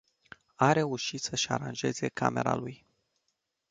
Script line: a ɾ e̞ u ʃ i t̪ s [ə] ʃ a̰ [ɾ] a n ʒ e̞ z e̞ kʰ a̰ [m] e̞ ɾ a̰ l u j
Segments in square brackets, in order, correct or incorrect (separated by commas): correct, correct, correct